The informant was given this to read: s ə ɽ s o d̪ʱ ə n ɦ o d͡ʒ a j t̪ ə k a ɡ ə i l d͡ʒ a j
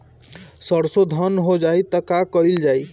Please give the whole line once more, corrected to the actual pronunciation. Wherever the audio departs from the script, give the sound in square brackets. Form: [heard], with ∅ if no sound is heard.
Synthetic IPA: s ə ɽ s o d̪ʱ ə n ɦ o d͡ʒ a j t̪ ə k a [k] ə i l d͡ʒ a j